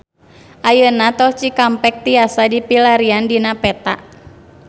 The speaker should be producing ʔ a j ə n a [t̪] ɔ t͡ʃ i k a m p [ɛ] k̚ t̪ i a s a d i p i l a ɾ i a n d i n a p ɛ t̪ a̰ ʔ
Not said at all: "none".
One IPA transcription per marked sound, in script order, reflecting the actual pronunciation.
t̪, ɛ

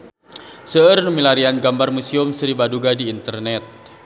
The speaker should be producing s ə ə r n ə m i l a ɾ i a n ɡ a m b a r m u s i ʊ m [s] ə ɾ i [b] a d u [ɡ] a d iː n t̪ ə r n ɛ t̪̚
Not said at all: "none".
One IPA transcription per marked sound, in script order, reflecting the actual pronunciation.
s, b, ɡ

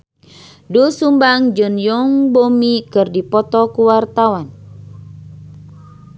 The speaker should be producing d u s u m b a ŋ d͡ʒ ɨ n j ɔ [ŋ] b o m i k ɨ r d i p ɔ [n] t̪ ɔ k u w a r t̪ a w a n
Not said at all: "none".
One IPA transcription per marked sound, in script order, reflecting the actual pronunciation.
ŋ, none

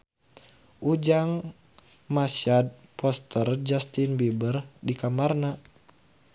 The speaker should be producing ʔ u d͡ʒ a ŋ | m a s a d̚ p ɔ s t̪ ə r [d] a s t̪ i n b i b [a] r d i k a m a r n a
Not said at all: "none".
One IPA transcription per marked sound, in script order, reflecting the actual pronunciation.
d͡ʒ, ə

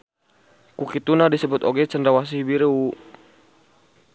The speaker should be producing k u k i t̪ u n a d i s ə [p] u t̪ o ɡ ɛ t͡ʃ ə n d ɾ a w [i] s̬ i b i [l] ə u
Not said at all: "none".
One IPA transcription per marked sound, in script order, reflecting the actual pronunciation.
b, a, ɾ

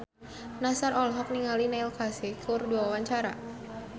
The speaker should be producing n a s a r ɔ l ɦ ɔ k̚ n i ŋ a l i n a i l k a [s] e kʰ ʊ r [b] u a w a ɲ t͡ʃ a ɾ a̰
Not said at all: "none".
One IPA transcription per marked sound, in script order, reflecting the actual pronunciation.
s, d

